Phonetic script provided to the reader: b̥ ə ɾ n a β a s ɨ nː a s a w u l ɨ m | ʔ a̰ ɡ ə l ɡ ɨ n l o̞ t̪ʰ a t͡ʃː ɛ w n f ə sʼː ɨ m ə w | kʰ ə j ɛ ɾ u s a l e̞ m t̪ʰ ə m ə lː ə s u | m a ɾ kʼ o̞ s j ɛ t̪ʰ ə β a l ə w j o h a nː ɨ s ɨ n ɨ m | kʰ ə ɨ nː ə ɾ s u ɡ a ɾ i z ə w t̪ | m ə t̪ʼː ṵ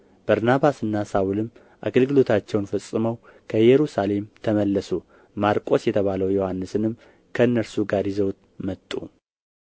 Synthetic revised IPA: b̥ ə ɾ n a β a s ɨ nː a s a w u l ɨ m | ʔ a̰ ɡ ə l ɡ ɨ l o̞ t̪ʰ a t͡ʃː ɛ w n f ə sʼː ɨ m ə w | kʰ ə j ɛ ɾ u s a l e̞ m t̪ʰ ə m ə lː ə s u | m a ɾ kʼ o̞ s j ɛ t̪ʰ ə β a l ə w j o h a nː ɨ s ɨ n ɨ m | kʰ ə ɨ nː ə ɾ s u ɡ a ɾ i z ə w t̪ | m ə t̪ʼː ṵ